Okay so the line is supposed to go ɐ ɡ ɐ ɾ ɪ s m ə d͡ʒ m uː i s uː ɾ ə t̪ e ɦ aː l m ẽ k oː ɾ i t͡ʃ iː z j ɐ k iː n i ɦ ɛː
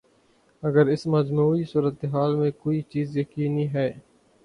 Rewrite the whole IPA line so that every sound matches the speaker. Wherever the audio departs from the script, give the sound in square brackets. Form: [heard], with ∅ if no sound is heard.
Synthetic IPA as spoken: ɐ ɡ [ə] ɾ ɪ s m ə d͡ʒ m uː i s uː ɾ ə t̪ e ɦ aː l m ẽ k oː [∅] i t͡ʃ iː z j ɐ k iː n i ɦ ɛː